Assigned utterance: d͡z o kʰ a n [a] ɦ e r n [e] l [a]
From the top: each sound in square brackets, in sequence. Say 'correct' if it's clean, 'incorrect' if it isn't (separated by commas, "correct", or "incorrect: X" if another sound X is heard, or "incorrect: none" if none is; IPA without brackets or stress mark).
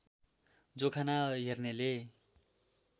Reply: correct, correct, incorrect: e